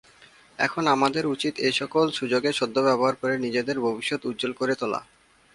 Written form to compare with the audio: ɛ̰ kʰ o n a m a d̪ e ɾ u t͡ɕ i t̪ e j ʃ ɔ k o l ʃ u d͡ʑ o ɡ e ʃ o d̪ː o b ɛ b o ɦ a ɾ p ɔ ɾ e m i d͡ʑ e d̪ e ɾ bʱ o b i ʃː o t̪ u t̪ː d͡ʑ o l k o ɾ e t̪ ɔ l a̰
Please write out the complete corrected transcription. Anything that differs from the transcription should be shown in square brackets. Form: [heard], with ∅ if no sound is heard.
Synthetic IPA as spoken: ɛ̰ kʰ o n a m a d̪ e ɾ u t͡ɕ i t̪ e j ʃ ɔ k o l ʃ u d͡ʑ o ɡ e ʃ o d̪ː o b ɛ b o ɦ a ɾ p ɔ ɾ e [n] i d͡ʑ e d̪ e ɾ bʱ o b i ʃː o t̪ u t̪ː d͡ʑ o l k o ɾ e t̪ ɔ l a̰